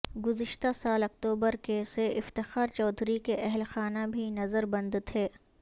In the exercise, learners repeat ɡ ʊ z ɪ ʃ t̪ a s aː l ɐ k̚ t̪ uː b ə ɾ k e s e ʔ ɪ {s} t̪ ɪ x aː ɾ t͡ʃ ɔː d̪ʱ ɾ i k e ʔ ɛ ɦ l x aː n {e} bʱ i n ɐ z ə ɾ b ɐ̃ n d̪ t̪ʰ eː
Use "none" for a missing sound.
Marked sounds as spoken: f, a

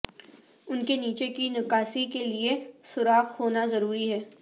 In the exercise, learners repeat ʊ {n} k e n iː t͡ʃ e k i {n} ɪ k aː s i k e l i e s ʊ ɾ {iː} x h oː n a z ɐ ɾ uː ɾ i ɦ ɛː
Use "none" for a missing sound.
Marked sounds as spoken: n, n, aː

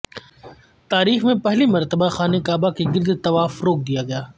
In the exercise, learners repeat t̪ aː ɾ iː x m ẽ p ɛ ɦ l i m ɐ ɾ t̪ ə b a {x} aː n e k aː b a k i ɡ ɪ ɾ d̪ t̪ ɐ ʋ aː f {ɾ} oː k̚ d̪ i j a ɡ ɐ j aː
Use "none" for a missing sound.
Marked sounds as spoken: x, ɾ

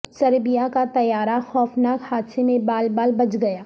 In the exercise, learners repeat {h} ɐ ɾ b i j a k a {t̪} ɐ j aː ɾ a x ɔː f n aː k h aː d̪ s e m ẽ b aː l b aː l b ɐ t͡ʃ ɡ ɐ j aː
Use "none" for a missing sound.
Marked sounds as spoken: s, t̪

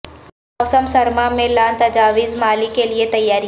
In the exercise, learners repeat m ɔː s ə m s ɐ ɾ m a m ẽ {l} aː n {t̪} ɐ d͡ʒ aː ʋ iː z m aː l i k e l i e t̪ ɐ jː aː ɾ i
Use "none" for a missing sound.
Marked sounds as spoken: l, t̪

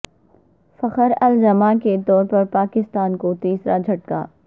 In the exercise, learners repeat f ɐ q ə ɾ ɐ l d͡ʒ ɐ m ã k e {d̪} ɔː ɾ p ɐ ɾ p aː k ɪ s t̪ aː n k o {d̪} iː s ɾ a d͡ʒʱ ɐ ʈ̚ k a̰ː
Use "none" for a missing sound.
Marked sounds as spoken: t̪, t̪

